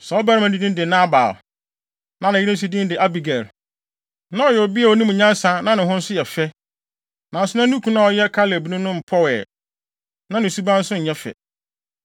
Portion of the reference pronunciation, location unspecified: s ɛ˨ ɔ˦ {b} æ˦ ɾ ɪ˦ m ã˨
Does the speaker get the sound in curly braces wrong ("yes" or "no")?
no